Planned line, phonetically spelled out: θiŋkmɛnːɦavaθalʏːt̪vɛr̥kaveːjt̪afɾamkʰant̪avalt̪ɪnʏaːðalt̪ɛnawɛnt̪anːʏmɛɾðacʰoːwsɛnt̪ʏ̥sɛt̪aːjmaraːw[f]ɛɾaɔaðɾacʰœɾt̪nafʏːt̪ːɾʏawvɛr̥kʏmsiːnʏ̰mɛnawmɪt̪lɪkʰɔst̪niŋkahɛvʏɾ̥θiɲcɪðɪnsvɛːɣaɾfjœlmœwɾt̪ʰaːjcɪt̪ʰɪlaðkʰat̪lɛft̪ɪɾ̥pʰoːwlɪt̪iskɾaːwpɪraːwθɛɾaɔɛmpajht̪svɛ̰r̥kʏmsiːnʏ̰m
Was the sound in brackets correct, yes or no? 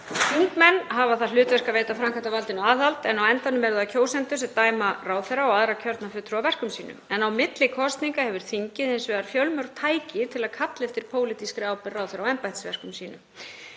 no